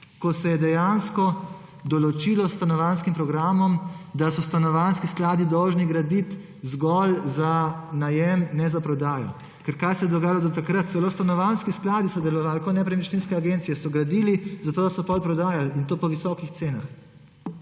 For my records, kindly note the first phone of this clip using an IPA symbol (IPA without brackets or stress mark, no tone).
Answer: k